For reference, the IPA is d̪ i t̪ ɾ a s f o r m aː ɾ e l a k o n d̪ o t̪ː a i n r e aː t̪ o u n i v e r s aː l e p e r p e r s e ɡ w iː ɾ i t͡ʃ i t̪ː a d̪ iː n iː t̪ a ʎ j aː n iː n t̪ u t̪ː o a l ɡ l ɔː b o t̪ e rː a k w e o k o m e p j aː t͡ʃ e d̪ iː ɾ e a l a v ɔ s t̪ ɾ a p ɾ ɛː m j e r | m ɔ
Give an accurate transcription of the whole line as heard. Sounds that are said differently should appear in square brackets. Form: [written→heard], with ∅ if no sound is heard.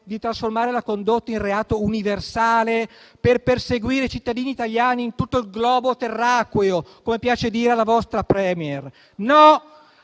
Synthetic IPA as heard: d̪ i t̪ ɾ a s f o r m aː ɾ e l a k o n d̪ o t̪ː a i n r e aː t̪ o u n i v e r s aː l e p e r p e r s e ɡ w iː ɾ [i→e] t͡ʃ i t̪ː a d̪ iː n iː t̪ a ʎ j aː n iː n t̪ u t̪ː o [a→i] l ɡ l ɔː b o t̪ e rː a k w e o k o m e p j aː t͡ʃ e d̪ iː ɾ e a l a v ɔ s t̪ ɾ a p ɾ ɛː m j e r | [m→n] ɔ